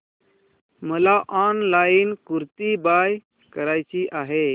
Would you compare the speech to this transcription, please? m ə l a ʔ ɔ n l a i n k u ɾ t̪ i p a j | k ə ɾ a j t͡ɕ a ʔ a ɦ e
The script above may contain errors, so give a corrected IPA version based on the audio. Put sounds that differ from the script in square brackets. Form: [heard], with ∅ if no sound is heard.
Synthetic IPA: m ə l a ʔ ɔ n l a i n k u ɾ t̪ i [b] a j | k ə ɾ a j t͡ɕ [i] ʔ a ɦ e